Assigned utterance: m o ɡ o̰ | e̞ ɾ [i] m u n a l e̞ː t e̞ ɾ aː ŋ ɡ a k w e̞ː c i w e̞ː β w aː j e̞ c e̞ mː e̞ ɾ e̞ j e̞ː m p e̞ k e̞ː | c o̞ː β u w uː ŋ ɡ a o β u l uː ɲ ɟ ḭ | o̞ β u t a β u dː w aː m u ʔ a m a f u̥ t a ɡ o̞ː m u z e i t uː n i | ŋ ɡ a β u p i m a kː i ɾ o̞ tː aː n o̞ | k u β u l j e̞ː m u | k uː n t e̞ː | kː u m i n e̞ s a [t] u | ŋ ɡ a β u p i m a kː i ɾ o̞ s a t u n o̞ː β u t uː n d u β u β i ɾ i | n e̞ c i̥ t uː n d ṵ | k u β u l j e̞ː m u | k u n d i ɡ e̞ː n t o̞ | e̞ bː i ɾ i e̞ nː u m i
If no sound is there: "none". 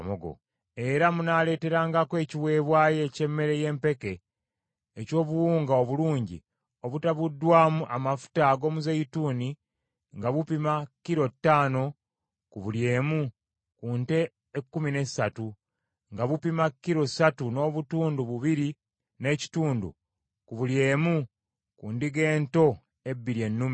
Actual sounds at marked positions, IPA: a, t

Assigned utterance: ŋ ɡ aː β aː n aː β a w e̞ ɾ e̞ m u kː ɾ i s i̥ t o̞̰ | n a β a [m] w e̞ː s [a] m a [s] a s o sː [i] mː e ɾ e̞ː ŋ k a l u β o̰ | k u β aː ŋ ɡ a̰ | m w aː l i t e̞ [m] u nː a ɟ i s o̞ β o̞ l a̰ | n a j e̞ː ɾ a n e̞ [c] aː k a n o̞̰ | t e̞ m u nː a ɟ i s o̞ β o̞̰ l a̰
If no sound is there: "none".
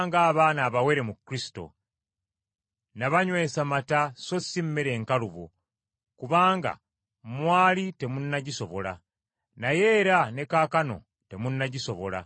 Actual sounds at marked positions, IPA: ɲ, a, t, i, m, k

